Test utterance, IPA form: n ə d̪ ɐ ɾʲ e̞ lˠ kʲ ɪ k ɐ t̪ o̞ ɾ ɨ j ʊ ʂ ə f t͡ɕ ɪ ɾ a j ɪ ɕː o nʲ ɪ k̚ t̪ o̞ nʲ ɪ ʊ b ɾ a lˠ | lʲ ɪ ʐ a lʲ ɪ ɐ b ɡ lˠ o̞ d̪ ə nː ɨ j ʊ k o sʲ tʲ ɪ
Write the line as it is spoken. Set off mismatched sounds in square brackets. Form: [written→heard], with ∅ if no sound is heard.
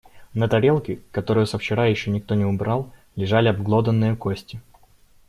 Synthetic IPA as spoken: n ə [d̪→t̪] ɐ ɾʲ e̞ lˠ kʲ ɪ k ɐ t̪ o̞ ɾ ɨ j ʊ [ʂ→s] ə f t͡ɕ ɪ ɾ a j ɪ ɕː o nʲ ɪ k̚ t̪ o̞ nʲ ɪ ʊ b ɾ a lˠ | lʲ ɪ ʐ a lʲ ɪ ɐ b ɡ lˠ o̞ d̪ ə nː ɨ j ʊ k o sʲ tʲ ɪ